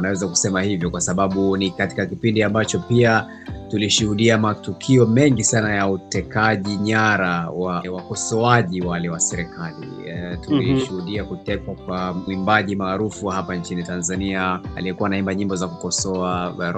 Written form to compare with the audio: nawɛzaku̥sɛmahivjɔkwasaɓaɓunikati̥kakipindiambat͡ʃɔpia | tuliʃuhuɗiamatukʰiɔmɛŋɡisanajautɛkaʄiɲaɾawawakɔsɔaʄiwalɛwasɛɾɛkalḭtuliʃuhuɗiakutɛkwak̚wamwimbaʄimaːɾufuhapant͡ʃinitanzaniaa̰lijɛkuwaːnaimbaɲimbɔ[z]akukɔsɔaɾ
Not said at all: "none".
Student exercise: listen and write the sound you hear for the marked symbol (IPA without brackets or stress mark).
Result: z